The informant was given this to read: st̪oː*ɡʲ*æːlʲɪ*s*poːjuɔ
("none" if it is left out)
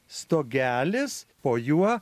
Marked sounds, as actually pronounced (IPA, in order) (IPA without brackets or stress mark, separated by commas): ɡʲ, s